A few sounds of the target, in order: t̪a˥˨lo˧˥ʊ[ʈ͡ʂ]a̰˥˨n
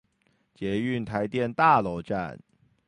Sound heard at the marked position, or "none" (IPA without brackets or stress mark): ʈ͡ʂ